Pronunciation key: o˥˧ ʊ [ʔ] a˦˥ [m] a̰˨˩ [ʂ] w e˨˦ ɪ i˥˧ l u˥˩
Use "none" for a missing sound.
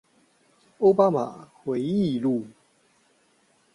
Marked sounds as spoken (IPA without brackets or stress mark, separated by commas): p, m, x